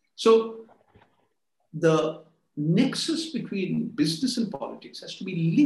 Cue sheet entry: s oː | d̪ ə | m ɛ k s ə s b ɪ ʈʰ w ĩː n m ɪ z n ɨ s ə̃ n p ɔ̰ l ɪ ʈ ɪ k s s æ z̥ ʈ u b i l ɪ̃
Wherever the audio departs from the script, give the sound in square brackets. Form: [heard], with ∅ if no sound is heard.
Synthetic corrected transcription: s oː | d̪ ə | [n] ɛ k s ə s b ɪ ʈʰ w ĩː n [b] ɪ z n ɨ s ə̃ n p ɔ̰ l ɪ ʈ ɪ k s [h] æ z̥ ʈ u b i l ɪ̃